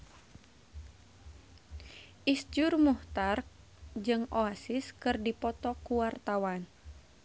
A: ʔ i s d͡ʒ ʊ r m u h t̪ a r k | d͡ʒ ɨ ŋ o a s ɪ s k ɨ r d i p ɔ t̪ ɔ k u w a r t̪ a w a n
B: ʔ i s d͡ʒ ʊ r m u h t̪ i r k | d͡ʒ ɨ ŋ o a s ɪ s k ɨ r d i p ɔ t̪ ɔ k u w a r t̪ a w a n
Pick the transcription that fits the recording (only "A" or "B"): A